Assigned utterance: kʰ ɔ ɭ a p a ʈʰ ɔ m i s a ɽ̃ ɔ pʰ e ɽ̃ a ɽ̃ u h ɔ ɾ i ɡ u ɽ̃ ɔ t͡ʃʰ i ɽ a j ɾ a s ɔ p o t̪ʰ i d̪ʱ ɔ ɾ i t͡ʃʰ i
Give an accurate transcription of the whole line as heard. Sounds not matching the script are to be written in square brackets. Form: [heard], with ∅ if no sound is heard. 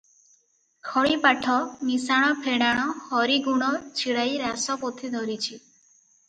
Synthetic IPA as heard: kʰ ɔ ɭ [i] p a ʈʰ ɔ m i s a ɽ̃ ɔ pʰ e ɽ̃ a ɽ̃ [ɔ] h ɔ ɾ i ɡ u ɽ̃ ɔ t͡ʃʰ i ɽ a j ɾ a s ɔ p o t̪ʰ i d̪ʱ ɔ ɾ i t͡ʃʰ i

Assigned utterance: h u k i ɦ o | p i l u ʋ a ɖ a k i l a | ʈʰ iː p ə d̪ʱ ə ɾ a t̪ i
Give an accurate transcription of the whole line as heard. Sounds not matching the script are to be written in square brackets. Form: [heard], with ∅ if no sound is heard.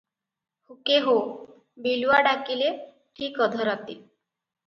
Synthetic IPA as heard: h u k [e] ɦ o | [b] i l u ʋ a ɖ a k i l [e] | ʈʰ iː [k] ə d̪ʱ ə ɾ a t̪ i

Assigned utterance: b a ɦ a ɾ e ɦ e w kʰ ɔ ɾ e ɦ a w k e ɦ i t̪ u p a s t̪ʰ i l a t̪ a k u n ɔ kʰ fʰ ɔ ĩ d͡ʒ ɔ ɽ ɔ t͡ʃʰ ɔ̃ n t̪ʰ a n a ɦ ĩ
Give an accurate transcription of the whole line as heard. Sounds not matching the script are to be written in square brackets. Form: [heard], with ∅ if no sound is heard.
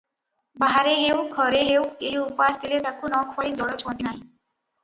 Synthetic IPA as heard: b a ɦ a ɾ e ɦ e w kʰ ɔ ɾ e ɦ [e] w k e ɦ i [∅] u p a s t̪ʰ i l [e] t̪ a k u n ɔ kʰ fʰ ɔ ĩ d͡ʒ ɔ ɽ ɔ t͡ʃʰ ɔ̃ n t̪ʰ [i] n a ɦ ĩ

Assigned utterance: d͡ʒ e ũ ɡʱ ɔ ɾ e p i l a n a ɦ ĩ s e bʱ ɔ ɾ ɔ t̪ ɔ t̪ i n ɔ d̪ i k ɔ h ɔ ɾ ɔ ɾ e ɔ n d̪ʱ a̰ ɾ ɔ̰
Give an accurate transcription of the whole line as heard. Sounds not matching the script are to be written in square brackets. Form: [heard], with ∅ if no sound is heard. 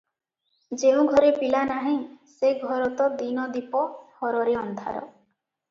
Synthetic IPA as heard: d͡ʒ e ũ ɡʱ ɔ ɾ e p i l a n a ɦ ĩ s e [ɡʱ] ɔ ɾ ɔ t̪ ɔ [d̪] i n ɔ d̪ i [p] ɔ h ɔ ɾ ɔ ɾ e ɔ n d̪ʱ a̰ ɾ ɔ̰

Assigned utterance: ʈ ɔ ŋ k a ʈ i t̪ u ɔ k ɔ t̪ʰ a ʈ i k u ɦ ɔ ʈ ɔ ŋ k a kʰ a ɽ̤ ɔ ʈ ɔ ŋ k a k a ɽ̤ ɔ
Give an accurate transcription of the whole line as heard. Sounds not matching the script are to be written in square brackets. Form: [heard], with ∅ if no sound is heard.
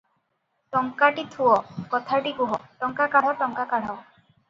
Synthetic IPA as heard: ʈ ɔ ŋ k a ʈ i [t̪ʰ] u ɔ k ɔ t̪ʰ a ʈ i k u ɦ ɔ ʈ ɔ ŋ k a [k] a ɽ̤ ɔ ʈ ɔ ŋ k a k a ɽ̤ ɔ

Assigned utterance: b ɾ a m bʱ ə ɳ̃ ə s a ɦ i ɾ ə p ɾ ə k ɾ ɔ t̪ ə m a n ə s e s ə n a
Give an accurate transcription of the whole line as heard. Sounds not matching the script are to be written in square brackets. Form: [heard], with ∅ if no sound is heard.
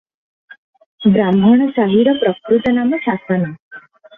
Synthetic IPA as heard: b ɾ a m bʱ ə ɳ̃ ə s a ɦ i ɾ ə p ɾ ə k ɾ [u] t̪ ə [n] a [m] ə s [a] s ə n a

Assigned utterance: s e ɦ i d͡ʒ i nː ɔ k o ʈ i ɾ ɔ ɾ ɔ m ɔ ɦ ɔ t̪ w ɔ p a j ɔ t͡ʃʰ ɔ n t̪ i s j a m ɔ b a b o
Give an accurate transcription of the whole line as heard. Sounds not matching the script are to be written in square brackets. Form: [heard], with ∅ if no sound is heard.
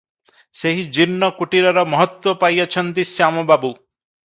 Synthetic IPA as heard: s e ɦ i d͡ʒ i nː ɔ k [u] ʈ i ɾ ɔ ɾ ɔ m ɔ ɦ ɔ t̪ w ɔ p a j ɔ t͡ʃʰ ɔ n t̪ i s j a m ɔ b a b [u]

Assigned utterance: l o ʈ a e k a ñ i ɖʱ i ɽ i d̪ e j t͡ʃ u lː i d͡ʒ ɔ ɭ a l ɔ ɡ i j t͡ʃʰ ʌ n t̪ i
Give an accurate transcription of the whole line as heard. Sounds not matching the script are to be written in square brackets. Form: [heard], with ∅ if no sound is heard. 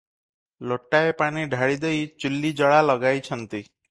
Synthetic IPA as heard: l o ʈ a e [p] a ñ i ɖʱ [a] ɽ i d̪ e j t͡ʃ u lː i d͡ʒ ɔ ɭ a l ɔ ɡ [a] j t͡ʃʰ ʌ n t̪ i

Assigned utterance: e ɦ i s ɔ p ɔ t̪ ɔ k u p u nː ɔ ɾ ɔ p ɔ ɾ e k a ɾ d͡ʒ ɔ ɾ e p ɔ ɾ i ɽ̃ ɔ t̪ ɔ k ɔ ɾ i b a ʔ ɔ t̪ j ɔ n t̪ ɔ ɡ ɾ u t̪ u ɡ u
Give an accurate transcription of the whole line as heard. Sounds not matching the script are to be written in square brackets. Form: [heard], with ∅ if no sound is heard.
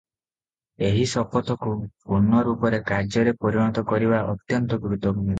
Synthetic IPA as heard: e ɦ i s ɔ p ɔ t̪ ɔ k u p u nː ɔ ɾ [u] p ɔ ɾ e k a ɾ d͡ʒ ɔ ɾ e p ɔ ɾ i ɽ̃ ɔ t̪ ɔ k ɔ ɾ i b a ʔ ɔ t̪ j ɔ n t̪ ɔ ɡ ɾ u t̪ [ɔ] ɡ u

